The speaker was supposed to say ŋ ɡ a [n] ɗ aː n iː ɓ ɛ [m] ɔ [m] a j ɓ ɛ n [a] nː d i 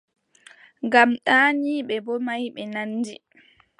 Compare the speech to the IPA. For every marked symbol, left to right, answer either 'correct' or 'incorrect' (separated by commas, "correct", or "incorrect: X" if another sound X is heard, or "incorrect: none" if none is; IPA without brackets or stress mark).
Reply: incorrect: m, incorrect: b, correct, correct